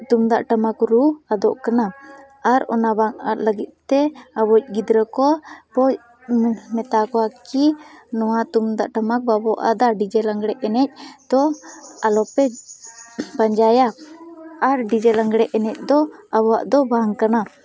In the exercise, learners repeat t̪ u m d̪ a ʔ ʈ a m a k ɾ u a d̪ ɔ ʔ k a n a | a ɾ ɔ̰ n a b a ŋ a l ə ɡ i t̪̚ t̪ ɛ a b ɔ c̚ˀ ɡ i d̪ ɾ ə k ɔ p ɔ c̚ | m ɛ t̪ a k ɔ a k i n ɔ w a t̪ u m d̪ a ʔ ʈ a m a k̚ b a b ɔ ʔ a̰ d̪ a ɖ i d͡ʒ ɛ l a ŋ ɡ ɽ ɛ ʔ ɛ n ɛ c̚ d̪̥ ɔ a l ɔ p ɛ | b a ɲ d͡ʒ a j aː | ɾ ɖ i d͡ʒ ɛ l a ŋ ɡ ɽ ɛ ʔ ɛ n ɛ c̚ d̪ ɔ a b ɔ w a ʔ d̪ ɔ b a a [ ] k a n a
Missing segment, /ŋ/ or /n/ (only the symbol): ŋ